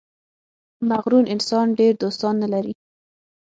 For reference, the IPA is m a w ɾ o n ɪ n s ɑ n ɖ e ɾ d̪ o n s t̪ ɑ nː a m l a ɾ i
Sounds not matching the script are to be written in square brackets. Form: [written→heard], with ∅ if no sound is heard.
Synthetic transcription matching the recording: m a [w→ɣ] ɾ [o→u] n ɪ n s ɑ n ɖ e ɾ d̪ o [n→∅] s t̪ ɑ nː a [m→∅] l a ɾ i